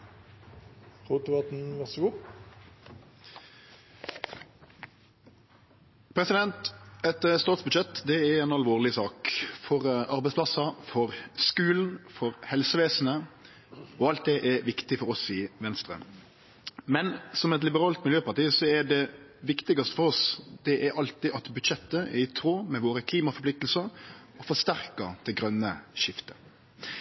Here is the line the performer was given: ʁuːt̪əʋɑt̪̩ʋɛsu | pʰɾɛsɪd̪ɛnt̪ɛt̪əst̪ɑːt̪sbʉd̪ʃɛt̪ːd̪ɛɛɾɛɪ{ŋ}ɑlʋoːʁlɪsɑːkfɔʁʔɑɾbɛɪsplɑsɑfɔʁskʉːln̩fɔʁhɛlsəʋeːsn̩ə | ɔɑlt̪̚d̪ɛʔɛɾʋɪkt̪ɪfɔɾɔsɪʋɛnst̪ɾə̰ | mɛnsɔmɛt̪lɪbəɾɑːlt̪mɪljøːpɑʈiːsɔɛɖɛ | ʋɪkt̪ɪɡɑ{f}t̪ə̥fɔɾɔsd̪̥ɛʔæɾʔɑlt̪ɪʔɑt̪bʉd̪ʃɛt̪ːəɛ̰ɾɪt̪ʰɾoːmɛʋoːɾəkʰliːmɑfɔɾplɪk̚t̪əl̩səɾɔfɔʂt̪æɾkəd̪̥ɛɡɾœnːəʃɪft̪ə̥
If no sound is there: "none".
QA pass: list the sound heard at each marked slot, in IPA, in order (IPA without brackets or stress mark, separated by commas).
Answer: n, s